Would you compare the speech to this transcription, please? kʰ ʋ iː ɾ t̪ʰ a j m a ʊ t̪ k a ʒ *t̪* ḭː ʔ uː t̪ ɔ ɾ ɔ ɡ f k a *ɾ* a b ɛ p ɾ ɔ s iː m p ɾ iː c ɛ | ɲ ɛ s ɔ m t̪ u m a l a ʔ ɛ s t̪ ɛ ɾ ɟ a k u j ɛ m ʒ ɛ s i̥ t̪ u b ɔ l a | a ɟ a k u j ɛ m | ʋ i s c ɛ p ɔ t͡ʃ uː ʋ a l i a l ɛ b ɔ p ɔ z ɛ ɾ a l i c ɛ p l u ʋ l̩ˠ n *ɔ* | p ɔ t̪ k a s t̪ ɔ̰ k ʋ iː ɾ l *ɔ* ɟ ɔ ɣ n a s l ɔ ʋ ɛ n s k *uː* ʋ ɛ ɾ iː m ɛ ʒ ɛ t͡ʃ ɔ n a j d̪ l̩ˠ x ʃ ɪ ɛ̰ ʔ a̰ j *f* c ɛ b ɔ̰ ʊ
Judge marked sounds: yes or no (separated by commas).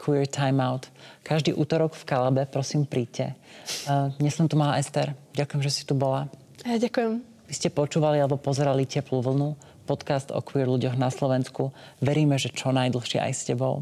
no, no, no, no, no, no